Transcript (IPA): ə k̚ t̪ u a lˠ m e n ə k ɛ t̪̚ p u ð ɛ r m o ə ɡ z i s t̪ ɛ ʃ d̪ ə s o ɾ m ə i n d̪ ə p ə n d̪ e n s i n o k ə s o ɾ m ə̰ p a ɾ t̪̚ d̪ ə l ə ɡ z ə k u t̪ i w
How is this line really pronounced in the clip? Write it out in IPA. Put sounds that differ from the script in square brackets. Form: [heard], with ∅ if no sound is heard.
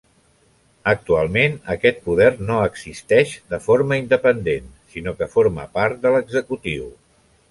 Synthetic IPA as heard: ə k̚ t̪ u a lˠ m e n ə k ɛ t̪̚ p u ð ɛ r [n] o ə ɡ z i s t̪ ɛ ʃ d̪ ə [f] o ɾ m ə i n d̪ ə p ə n d̪ e n s i n o k ə [f] o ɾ m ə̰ p a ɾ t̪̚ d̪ ə l ə ɡ z ə k u t̪ i w